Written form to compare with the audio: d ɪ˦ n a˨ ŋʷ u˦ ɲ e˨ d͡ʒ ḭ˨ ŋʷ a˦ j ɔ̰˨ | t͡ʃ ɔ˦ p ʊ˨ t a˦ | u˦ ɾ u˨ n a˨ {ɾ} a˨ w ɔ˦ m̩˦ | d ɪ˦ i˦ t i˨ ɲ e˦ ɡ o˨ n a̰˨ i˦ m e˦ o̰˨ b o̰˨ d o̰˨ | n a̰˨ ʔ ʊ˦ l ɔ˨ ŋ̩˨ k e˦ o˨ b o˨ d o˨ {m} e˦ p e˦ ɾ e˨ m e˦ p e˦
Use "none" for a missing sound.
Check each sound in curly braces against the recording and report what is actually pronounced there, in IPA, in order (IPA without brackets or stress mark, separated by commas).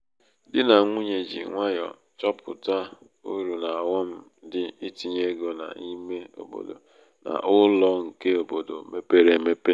none, m